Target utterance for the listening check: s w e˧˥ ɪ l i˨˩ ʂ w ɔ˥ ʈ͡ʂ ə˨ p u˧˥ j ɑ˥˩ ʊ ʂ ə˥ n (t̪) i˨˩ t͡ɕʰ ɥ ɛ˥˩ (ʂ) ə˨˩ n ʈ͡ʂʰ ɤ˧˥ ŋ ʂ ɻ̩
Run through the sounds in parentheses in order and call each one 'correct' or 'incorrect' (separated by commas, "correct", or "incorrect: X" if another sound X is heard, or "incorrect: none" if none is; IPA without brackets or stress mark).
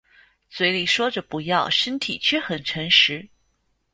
incorrect: t̪ʰ, incorrect: x